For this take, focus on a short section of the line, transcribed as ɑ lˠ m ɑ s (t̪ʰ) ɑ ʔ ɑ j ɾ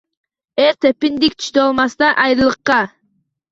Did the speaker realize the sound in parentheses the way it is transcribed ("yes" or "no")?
no